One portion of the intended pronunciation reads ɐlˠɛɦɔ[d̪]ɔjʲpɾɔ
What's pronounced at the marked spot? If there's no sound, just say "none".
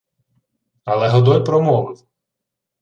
d̪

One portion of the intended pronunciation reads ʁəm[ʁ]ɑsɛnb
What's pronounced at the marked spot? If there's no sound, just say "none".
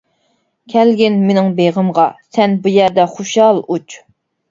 ʁ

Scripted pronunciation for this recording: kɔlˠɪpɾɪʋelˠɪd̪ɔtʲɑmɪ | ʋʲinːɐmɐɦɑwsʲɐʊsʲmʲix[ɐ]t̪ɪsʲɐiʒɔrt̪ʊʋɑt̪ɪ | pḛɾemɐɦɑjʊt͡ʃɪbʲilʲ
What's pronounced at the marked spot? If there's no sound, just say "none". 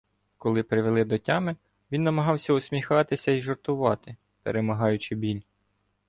ɑ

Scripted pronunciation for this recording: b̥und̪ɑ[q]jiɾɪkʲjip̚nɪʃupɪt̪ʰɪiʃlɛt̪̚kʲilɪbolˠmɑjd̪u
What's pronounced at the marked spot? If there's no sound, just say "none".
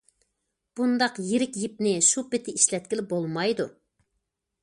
q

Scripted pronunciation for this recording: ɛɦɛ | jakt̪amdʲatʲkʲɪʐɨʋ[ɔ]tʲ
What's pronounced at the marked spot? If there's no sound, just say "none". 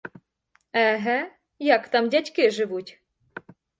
u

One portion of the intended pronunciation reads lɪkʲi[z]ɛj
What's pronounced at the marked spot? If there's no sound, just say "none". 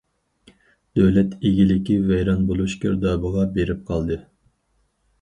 v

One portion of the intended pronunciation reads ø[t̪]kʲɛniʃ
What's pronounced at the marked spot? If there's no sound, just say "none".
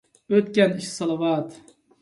t̪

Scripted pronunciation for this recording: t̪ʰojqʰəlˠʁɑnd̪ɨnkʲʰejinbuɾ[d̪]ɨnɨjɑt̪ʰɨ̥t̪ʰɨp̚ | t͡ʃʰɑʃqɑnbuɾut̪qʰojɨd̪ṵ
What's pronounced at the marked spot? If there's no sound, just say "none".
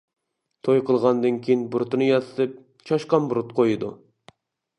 t̪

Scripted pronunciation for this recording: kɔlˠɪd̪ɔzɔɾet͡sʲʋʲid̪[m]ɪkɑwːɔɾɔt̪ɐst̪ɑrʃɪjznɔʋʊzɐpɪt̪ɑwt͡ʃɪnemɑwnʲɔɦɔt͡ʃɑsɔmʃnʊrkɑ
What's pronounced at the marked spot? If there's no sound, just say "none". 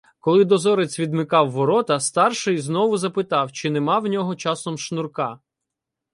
m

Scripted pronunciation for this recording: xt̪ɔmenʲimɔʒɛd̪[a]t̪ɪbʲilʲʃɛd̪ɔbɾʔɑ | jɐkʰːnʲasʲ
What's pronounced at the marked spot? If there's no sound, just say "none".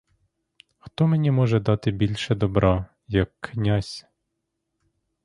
ɑ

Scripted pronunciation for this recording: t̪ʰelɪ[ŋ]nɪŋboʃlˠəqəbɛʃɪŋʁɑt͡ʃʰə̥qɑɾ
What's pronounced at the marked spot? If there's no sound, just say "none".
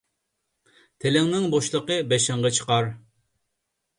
ŋ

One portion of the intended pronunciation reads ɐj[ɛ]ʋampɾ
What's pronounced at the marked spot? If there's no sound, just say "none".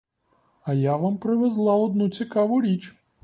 a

